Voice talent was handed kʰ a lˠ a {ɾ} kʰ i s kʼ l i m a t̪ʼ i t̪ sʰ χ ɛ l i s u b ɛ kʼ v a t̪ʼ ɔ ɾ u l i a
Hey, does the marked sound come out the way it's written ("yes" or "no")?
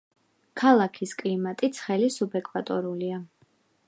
no